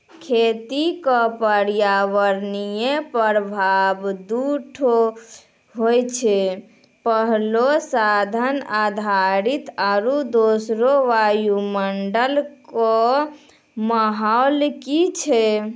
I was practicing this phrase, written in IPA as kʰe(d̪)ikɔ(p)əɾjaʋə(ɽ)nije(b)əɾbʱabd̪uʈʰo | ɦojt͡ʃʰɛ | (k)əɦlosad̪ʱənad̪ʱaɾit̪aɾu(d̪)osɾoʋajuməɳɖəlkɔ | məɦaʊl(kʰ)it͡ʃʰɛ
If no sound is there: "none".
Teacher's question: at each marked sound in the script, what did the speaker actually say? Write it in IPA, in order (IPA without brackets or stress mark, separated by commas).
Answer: t̪, p, ɾ, p, p, d̪, k